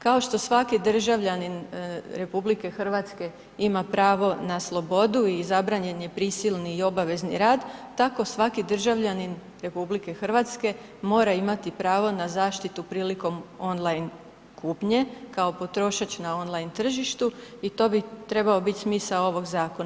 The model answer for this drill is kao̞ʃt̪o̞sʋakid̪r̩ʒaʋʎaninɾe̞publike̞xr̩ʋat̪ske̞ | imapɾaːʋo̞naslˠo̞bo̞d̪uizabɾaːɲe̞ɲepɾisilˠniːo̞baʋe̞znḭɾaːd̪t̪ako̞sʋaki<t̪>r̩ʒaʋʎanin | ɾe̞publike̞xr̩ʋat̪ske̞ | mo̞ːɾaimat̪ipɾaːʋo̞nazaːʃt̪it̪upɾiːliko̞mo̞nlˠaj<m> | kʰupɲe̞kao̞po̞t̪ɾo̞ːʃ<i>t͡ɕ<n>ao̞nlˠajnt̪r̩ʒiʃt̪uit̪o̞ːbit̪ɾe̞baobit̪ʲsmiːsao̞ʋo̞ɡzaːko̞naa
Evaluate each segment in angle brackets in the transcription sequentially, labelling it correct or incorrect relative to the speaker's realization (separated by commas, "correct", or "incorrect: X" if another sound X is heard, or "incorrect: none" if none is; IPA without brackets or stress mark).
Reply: incorrect: d̪, incorrect: n, incorrect: a, correct